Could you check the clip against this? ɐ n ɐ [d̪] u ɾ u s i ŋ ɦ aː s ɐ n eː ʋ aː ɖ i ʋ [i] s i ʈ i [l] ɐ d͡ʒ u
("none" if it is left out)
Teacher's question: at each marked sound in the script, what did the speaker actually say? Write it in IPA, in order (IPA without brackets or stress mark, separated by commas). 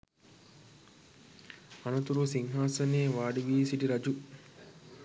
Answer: t̪, iː, ɾ